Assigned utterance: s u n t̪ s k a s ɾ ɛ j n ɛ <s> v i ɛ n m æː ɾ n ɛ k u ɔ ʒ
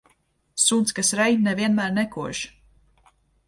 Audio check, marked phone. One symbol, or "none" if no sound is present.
none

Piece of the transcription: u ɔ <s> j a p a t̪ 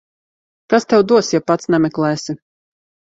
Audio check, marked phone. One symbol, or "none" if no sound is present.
s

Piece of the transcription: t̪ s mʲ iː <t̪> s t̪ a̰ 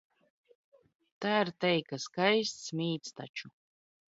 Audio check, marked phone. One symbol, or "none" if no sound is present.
t̪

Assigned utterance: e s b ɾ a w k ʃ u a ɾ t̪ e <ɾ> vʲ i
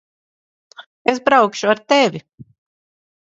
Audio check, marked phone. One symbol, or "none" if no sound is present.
none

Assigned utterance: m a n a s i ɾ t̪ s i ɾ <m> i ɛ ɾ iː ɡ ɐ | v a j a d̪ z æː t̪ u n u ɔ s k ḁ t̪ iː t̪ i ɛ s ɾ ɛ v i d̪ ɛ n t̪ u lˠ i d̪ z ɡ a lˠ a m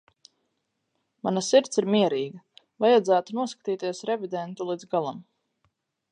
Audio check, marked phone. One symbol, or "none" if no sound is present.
m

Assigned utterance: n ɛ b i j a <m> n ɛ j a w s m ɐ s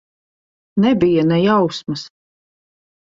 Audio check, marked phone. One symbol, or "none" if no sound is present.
none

